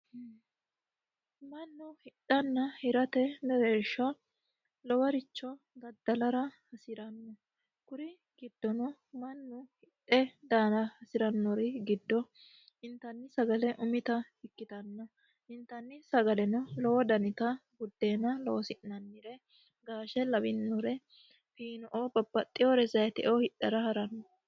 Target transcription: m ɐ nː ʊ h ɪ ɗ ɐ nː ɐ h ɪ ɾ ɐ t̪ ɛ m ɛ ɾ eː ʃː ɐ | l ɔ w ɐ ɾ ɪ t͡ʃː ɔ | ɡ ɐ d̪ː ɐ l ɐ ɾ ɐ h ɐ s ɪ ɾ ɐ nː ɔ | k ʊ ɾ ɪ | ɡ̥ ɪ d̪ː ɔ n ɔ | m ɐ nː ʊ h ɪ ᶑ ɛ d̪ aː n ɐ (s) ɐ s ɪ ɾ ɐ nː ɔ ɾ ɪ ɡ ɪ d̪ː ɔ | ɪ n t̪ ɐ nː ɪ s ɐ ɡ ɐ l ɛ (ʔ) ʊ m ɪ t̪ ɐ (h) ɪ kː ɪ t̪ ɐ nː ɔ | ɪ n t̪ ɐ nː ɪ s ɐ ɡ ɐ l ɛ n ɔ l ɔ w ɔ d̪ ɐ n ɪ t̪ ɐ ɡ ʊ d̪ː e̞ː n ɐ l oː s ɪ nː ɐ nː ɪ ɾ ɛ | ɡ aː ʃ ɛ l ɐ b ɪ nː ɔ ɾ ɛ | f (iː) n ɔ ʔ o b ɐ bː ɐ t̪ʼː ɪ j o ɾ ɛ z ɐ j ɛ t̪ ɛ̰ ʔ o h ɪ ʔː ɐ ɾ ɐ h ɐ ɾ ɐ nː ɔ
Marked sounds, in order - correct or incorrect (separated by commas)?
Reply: incorrect, correct, correct, correct